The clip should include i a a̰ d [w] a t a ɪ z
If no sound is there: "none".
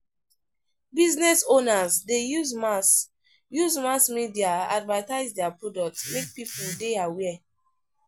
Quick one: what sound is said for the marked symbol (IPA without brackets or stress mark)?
v